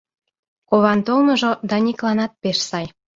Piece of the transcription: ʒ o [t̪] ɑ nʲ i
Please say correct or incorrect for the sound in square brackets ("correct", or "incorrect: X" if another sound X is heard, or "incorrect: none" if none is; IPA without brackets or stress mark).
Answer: incorrect: d̪